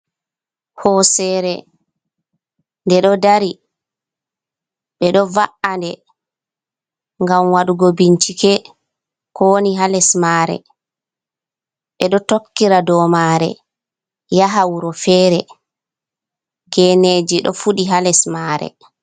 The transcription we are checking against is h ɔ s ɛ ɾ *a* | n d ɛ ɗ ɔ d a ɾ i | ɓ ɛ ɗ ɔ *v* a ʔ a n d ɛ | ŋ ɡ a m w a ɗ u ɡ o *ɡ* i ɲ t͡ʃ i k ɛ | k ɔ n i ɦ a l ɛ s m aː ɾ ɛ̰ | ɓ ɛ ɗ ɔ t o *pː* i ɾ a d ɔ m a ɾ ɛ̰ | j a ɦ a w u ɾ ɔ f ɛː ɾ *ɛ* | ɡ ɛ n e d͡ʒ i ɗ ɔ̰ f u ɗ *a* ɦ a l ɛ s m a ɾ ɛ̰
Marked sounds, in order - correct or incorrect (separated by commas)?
incorrect, correct, incorrect, incorrect, correct, incorrect